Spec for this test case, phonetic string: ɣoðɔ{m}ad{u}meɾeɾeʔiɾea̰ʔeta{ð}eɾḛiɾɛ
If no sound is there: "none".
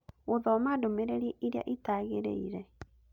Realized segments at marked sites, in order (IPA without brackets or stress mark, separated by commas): m, o, ɣ